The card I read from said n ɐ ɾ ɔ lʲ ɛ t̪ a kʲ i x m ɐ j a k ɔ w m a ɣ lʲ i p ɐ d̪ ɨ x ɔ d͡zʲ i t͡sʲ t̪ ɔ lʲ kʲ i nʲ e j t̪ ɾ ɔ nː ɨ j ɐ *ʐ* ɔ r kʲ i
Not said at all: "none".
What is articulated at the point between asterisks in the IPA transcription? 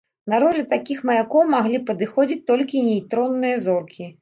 z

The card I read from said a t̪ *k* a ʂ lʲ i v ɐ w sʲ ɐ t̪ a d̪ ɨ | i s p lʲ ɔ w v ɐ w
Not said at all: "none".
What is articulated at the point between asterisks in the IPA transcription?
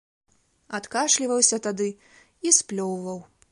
k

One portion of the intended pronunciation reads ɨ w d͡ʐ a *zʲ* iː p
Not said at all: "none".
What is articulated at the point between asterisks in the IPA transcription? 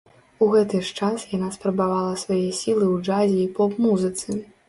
zʲ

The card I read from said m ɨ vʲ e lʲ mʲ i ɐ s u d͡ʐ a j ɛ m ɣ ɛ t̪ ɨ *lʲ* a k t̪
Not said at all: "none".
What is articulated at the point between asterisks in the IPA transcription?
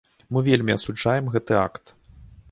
none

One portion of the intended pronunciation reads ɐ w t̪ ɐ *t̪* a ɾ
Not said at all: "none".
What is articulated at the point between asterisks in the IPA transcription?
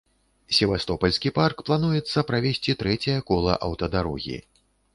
d̪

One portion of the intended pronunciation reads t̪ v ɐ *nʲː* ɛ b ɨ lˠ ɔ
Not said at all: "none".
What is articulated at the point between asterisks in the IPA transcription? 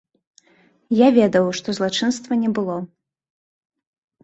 nʲ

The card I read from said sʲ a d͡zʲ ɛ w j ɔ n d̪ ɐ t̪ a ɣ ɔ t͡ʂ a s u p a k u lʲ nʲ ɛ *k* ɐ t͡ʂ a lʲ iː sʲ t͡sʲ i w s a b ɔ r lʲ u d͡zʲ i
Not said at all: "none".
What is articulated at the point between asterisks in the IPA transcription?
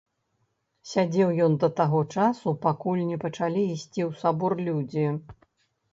p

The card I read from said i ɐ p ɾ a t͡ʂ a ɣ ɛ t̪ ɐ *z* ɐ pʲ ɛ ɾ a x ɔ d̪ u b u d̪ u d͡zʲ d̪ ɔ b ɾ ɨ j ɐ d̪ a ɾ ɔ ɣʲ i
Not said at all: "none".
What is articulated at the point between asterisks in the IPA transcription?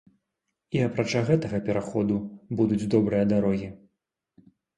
ɣ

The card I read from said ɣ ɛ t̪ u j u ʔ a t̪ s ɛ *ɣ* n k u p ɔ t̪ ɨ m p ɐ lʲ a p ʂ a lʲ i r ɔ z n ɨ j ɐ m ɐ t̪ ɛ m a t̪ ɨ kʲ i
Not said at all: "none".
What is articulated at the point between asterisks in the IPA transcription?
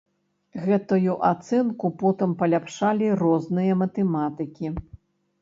none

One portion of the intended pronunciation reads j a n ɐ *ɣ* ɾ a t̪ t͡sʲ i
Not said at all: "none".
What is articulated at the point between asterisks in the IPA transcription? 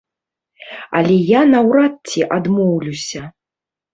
w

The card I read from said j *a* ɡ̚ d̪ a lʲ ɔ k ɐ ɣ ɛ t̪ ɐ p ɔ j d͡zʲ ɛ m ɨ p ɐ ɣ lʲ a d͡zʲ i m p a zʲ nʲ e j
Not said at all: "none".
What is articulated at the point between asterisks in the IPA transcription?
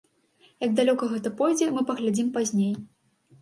ɐ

